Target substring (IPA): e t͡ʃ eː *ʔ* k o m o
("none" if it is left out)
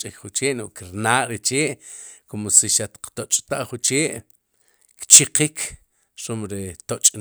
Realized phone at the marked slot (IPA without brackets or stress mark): ʔ